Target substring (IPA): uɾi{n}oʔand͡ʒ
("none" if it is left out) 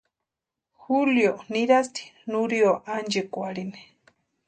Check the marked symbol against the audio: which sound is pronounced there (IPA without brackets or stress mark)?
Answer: none